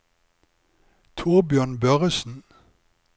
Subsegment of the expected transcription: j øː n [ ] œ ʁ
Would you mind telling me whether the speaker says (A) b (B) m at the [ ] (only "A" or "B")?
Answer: A